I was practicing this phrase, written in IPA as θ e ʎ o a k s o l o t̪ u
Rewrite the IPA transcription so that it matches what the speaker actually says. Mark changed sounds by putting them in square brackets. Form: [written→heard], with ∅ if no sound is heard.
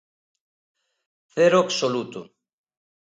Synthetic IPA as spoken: θ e [ʎ→ɾ] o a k s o l [o→u] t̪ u